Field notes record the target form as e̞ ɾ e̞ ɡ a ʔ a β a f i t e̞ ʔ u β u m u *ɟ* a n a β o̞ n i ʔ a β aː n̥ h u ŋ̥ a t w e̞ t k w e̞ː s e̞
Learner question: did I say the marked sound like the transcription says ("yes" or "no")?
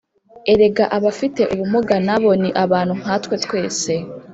no